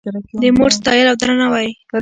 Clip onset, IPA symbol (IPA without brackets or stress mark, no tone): d̪